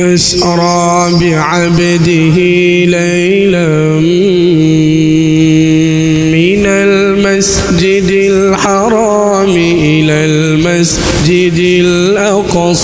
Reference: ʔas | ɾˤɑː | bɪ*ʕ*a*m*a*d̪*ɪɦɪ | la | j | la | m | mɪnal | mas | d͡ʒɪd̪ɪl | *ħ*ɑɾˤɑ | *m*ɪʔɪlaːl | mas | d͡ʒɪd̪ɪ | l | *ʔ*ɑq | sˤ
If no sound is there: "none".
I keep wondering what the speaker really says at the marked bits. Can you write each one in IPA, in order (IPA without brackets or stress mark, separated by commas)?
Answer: ʕ, b, d̪, ħ, m, ʔ